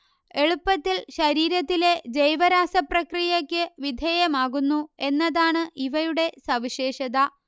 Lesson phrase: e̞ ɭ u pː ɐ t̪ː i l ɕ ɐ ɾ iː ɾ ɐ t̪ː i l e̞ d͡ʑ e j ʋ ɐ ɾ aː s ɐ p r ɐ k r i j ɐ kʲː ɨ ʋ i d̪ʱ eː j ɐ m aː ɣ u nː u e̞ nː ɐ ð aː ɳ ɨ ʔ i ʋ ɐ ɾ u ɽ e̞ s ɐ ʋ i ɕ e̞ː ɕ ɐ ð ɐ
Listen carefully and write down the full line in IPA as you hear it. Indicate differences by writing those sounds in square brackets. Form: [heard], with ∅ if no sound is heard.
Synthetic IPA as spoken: e̞ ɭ u pː ɐ t̪ː i l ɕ ɐ ɾ iː ɾ ɐ t̪ː i l e̞ d͡ʑ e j ʋ ɐ ɾ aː s ɐ p r ɐ k r i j ɐ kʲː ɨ ʋ i d̪ʱ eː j ɐ m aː ɣ u nː u e̞ nː ɐ ð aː ɳ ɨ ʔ i ʋ ɐ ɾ u ɽ e̞ s ɐ ʋ i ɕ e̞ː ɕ ɐ ð ɐ